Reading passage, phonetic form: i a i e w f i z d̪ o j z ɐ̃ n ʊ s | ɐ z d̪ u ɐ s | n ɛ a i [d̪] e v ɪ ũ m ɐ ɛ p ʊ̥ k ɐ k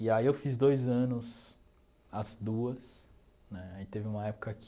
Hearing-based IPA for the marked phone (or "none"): t̪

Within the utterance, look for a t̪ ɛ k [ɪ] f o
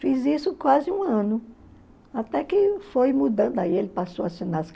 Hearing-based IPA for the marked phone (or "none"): ɪ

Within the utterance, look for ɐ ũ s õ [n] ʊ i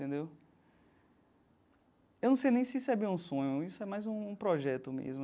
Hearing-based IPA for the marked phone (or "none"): ɲ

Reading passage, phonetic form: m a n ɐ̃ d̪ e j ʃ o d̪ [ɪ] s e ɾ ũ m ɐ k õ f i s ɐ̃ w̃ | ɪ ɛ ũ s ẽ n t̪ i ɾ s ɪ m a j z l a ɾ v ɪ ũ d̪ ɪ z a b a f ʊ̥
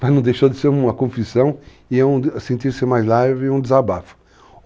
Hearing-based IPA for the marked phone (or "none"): ɪ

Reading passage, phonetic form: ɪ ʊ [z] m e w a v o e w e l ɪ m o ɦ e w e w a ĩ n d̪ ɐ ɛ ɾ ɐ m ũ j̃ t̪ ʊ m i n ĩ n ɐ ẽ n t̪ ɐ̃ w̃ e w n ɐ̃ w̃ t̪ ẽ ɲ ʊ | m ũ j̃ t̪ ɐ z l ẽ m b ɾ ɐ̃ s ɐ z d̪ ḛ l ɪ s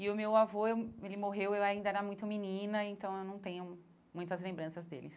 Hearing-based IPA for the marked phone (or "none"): none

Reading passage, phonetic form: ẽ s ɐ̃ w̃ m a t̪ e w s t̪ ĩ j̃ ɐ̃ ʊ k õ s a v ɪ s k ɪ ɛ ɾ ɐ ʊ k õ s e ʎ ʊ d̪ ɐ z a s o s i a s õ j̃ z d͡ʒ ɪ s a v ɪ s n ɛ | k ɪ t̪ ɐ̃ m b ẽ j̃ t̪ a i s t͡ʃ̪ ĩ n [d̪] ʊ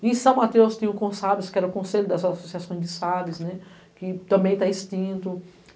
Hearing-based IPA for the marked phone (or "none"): t̪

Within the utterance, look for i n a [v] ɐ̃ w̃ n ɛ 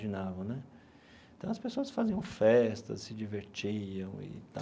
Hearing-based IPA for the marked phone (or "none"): v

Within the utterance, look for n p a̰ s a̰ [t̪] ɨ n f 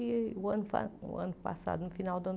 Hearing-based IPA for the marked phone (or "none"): d̪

